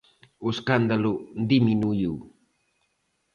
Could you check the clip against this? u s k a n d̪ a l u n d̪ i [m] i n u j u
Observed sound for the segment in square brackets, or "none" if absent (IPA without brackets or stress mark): m